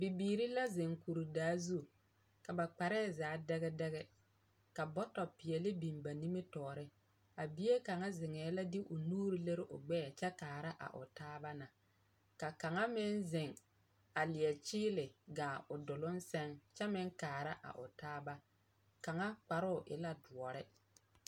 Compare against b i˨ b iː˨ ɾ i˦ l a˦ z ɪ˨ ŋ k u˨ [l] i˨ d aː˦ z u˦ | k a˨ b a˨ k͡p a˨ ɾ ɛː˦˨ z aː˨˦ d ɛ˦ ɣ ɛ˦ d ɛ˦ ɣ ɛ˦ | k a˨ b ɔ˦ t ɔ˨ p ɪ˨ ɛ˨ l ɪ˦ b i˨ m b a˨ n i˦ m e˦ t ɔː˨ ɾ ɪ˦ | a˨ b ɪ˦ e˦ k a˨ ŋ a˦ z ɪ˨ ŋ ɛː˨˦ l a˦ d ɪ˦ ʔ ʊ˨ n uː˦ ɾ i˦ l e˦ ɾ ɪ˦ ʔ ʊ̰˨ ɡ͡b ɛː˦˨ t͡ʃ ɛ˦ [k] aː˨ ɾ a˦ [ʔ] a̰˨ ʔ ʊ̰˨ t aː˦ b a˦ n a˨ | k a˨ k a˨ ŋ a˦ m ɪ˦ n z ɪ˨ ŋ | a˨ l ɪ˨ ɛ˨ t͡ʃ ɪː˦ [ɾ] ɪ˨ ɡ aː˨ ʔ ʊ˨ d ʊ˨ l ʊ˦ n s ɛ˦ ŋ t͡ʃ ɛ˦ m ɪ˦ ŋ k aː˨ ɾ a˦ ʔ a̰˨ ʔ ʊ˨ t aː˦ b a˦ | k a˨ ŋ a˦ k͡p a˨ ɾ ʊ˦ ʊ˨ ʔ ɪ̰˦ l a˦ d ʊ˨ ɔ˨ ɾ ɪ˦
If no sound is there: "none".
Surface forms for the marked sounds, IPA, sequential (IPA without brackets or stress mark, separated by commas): ɾ, k, ʔ, l